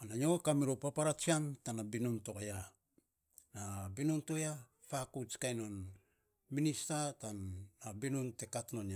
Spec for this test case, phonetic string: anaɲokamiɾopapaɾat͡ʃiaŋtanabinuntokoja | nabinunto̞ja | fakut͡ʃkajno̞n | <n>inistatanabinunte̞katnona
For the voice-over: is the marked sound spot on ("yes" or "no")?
no